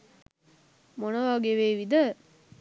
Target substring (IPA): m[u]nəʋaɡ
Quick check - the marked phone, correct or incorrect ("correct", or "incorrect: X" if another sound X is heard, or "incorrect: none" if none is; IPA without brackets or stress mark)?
incorrect: o